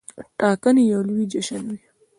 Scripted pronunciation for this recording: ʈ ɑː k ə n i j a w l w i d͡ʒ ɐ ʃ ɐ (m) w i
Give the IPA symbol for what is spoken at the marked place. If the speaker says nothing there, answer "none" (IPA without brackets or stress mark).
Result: n